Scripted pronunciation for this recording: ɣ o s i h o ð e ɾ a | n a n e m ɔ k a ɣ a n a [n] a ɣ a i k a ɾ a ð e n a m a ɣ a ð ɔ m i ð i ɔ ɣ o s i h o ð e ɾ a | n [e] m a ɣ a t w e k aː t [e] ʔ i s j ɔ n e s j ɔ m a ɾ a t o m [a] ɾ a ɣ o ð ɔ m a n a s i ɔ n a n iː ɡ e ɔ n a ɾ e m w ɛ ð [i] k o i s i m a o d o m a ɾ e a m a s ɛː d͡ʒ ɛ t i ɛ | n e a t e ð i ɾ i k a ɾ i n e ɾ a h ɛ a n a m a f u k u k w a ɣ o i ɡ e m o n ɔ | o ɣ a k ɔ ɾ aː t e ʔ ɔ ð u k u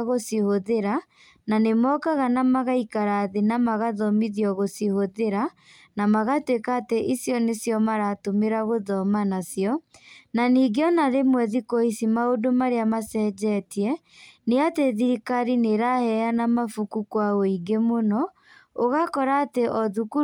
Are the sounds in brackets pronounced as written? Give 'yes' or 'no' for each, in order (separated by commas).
no, no, yes, no, yes